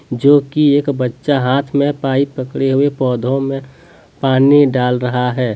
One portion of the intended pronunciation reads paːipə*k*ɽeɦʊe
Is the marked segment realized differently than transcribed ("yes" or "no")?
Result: no